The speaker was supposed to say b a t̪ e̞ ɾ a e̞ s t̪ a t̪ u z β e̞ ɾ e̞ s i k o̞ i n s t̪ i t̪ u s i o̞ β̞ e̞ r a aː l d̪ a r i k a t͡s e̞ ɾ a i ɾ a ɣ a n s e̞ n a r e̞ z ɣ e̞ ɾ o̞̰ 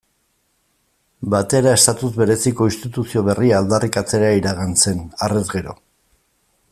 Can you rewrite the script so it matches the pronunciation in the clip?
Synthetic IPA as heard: b a t̪ e̞ ɾ a e̞ s t̪ a t̪ u z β e̞ ɾ e̞ s i k o̞ i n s t̪ i t̪ u s i o̞ β̞ e̞ r i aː l d̪ a r i k a t͡s e̞ ɾ a i ɾ a ɣ a n s e̞ n a r e̞ z ɣ e̞ ɾ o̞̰